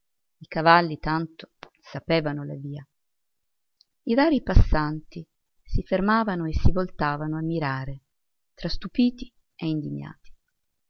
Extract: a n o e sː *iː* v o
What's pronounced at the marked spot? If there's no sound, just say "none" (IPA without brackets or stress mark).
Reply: i